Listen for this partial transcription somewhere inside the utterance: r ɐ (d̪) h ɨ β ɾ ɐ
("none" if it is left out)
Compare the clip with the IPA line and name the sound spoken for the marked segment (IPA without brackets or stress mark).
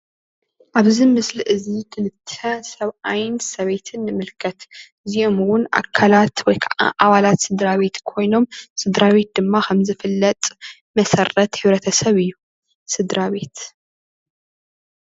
t̪